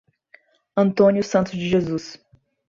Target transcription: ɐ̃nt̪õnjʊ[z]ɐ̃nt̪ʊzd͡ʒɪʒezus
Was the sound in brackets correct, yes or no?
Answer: no